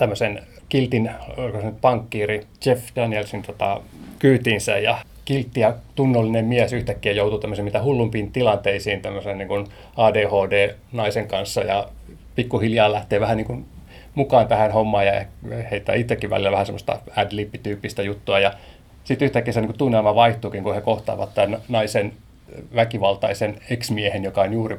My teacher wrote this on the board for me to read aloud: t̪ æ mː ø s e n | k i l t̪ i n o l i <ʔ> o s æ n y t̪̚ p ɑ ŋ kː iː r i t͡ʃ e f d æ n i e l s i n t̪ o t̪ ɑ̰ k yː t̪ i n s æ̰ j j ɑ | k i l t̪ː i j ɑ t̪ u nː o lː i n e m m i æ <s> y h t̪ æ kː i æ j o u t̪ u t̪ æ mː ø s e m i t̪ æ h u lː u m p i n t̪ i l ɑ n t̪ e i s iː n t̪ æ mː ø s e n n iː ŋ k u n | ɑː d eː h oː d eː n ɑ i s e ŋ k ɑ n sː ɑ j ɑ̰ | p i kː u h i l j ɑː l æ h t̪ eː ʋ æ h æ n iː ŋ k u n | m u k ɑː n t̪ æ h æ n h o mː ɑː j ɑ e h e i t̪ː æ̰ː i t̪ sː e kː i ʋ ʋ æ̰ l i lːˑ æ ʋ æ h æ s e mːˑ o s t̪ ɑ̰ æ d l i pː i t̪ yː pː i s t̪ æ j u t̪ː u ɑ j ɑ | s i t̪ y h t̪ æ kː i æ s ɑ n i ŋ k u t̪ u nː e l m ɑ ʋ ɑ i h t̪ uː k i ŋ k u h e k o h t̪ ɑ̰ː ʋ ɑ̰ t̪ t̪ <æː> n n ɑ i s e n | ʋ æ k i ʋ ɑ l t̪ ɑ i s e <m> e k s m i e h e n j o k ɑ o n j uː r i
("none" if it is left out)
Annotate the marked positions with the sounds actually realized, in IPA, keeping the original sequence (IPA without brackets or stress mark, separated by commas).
k, s, æ, n